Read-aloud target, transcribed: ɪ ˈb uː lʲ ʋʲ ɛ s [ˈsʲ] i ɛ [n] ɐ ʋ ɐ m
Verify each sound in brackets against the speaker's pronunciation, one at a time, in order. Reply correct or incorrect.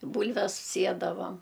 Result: correct, incorrect

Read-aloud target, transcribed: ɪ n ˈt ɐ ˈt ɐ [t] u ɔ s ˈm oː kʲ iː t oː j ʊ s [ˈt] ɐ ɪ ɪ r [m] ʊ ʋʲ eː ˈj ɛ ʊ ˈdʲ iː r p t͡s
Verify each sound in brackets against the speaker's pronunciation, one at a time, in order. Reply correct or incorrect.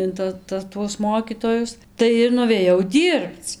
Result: correct, correct, incorrect

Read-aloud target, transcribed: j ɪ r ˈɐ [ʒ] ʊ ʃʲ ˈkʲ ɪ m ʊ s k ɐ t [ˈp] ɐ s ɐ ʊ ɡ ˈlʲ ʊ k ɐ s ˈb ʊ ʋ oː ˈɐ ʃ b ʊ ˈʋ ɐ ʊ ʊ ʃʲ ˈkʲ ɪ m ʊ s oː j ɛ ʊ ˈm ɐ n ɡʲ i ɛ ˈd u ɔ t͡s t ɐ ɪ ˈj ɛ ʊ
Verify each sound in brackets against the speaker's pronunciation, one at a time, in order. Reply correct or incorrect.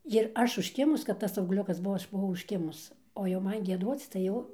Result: incorrect, incorrect

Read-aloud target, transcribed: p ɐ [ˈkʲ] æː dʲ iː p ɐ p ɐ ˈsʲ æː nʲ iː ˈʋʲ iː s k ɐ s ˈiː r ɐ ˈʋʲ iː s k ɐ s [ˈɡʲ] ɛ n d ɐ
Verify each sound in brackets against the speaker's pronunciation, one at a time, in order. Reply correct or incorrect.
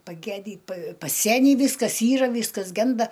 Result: incorrect, correct

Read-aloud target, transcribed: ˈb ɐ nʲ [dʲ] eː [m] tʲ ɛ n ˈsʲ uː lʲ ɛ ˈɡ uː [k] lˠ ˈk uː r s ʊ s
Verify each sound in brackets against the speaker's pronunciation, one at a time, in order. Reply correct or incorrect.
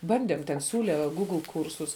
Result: correct, correct, incorrect

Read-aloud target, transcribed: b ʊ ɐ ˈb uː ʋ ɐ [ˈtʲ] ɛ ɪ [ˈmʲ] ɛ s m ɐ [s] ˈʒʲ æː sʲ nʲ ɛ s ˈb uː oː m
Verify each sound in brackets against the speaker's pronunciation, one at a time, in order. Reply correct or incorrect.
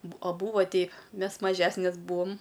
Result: correct, correct, incorrect

